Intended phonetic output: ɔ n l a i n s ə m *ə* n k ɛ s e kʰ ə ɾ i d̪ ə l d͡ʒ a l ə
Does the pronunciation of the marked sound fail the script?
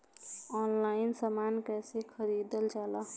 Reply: yes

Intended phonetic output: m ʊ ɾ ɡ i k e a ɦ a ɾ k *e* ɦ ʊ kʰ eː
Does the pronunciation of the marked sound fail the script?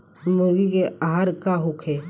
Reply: yes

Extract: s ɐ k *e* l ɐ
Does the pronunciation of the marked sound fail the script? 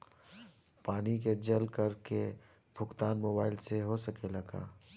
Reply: no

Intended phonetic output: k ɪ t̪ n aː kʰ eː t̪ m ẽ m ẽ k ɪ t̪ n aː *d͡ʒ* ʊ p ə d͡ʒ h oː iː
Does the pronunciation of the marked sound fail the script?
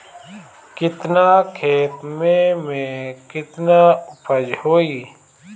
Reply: yes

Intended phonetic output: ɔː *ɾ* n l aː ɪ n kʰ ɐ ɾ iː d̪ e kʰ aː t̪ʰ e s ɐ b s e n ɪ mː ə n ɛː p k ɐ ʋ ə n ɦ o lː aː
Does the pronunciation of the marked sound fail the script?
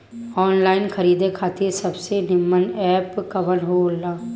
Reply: yes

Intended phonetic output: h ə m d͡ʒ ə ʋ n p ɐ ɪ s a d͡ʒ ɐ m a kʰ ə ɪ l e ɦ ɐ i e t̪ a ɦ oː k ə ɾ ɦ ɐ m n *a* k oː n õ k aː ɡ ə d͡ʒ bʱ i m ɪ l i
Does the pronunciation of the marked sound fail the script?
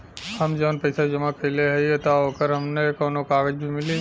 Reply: yes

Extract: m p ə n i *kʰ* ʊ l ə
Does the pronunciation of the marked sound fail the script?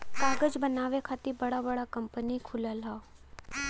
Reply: no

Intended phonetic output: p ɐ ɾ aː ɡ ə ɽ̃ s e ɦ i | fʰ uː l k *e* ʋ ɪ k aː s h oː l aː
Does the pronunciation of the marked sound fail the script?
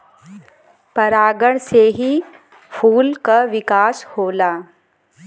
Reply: yes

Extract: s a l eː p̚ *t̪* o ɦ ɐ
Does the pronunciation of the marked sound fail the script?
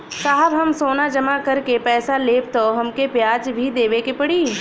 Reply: no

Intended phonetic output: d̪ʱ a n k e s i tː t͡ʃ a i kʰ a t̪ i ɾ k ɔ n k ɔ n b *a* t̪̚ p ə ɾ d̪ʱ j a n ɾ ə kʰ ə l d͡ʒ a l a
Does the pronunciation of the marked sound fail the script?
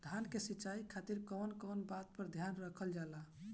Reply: no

